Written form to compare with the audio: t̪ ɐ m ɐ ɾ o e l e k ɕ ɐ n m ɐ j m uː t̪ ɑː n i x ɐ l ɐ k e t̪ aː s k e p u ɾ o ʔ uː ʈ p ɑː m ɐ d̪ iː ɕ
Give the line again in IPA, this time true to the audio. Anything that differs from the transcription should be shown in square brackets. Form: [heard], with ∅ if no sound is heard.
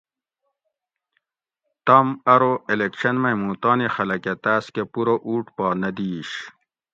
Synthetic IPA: t̪ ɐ m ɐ ɾ o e l e k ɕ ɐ n m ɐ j m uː t̪ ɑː n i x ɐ l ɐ k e t̪ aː s k e p u ɾ o ʔ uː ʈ p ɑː [n] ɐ d̪ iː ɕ

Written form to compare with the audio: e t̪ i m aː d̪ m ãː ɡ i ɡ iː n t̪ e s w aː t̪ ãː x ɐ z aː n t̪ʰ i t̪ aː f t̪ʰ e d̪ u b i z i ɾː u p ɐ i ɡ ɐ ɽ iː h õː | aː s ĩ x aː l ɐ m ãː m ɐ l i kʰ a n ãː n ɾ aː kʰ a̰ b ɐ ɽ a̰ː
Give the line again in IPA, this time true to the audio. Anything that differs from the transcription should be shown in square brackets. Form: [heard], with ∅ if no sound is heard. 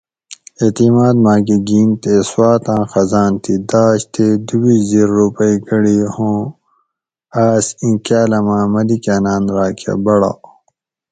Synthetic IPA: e t̪ i m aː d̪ m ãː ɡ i ɡ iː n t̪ e s w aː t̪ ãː x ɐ z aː n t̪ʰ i [d̪] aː [ɕ] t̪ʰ e d̪ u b i z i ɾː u p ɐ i ɡ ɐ ɽ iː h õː | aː s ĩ [k] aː l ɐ m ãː m ɐ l i [k] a n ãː n ɾ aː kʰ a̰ b ɐ ɽ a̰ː

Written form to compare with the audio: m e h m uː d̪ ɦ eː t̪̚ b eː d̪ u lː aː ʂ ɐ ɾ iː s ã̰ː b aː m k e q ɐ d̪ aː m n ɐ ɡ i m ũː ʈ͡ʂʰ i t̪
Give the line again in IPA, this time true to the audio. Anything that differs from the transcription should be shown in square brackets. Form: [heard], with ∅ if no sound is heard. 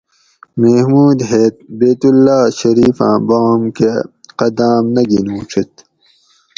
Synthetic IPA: m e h m uː d̪ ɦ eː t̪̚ b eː [t̪] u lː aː [ɕ] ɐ ɾ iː [f] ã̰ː b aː m k e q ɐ d̪ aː m n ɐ ɡ i [n] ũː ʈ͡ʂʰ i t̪

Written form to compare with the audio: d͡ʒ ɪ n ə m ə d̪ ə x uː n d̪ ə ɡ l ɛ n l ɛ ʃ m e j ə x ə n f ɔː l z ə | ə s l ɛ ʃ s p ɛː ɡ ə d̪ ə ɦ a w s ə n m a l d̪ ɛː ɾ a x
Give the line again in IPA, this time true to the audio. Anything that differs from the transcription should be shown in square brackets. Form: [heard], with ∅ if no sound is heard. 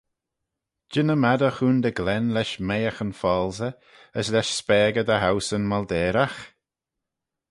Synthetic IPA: d͡ʒ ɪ n ə m [a] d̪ ə x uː n d̪ ə ɡ l ɛ n l ɛ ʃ m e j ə x ə n f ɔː l z ə | ə s l ɛ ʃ s p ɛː ɡ ə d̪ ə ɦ a w s ə n m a l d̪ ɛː ɾ a x

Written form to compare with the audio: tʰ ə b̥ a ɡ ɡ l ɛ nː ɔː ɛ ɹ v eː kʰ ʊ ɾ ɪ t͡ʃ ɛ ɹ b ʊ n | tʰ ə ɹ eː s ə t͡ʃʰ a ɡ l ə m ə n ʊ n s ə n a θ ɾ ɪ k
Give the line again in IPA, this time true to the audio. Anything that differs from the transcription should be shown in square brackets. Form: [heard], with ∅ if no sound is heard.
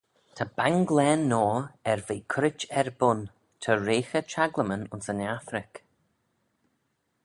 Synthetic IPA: tʰ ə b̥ a [ŋ] ɡ l ɛ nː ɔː ɛ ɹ v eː kʰ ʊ ɾ ɪ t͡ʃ ɛ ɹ b ʊ n | tʰ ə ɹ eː [x] ə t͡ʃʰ a ɡ l ə m ə n ʊ n s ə n a θ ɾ ɪ k

